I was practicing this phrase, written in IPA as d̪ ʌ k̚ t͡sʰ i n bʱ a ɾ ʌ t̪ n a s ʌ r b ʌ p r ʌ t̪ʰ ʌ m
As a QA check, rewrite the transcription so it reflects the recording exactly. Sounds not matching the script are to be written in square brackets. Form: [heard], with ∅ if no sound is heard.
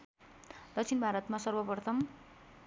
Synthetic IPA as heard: d̪ ʌ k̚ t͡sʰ i n bʱ a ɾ ʌ t̪ [m] a s ʌ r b ʌ p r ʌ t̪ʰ ʌ m